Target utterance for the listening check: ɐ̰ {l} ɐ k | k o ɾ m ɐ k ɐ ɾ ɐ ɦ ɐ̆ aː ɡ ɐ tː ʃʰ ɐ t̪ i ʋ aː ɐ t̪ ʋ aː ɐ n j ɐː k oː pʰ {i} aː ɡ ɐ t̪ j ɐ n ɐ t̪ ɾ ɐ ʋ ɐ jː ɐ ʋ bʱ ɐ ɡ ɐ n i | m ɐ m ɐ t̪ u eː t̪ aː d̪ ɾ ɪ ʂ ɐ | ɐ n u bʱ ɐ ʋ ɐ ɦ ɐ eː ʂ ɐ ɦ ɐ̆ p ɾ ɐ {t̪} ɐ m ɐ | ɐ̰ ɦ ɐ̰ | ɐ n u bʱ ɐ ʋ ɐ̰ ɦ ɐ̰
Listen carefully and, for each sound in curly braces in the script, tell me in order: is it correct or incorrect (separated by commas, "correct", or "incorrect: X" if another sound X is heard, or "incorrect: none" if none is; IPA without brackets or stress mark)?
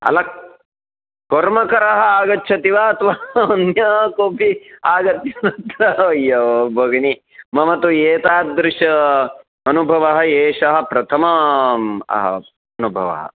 correct, correct, incorrect: t̪ʰ